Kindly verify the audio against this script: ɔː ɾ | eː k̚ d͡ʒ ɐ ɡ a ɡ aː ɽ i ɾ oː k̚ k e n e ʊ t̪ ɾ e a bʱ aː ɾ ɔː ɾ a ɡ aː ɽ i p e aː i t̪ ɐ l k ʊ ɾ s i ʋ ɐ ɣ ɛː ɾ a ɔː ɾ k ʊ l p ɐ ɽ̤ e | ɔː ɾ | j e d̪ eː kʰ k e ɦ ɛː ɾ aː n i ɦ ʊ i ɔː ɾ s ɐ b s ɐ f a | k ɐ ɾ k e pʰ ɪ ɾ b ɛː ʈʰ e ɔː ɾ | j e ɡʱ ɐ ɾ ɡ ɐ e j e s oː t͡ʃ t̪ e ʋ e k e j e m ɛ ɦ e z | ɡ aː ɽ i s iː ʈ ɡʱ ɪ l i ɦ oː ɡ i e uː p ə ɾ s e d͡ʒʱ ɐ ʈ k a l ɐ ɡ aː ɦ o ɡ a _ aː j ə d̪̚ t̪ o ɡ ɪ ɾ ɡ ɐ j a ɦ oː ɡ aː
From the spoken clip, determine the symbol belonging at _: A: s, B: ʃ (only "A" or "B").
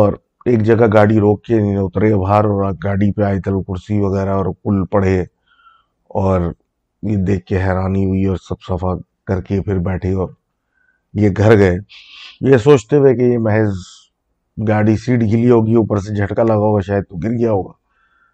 B